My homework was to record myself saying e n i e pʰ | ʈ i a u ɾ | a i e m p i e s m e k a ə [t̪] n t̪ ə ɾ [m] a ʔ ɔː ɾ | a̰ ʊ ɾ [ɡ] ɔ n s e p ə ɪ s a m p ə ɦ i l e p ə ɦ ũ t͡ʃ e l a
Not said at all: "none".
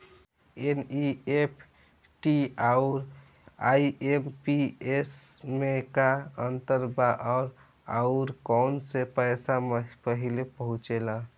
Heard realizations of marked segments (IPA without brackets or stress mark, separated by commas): none, b, k